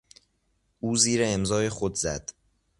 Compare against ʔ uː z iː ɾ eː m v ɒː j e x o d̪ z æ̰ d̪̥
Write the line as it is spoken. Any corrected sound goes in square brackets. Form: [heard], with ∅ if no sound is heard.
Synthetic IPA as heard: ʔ uː z iː ɾ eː m [z] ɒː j e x o d̪ z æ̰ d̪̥